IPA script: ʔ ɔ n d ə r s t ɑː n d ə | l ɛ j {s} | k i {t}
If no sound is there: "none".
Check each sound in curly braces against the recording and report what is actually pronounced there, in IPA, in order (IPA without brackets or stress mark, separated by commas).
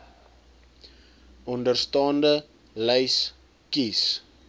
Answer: s, s